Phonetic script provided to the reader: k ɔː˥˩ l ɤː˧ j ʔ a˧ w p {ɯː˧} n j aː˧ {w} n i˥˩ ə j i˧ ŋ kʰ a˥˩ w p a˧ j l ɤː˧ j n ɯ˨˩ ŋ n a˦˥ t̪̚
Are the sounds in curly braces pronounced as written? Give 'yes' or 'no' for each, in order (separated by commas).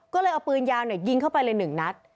yes, yes